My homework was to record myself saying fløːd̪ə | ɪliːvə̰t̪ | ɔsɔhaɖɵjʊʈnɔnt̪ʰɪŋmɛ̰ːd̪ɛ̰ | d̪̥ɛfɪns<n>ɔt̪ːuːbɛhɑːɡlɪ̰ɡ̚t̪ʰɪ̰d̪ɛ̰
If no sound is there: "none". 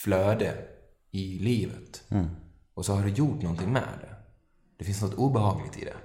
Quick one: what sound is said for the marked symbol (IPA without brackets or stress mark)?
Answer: n